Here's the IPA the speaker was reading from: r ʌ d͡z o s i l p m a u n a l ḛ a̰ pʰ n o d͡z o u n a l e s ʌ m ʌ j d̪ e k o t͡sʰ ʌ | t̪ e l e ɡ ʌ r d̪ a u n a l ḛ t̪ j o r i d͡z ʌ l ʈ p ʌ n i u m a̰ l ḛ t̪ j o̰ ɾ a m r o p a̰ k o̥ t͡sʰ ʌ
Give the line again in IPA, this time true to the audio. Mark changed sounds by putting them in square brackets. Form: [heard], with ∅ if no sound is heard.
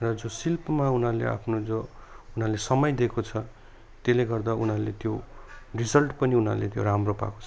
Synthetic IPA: r ʌ d͡z o s i l p m a u n a l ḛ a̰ pʰ n o d͡z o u n a l e s ʌ m ʌ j d̪ e k o t͡sʰ ʌ | t̪ e l e ɡ ʌ r d̪ a u n a l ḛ t̪ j o r i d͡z ʌ l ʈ p ʌ n i u [n] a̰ l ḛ t̪ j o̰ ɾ a m r o p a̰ k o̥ t͡sʰ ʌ